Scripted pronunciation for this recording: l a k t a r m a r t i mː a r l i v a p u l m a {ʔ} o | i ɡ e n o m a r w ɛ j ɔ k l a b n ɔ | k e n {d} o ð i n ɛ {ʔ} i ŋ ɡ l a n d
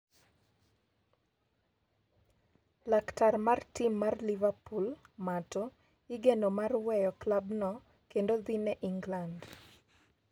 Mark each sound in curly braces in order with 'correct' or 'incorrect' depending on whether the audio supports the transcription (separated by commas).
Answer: incorrect, correct, correct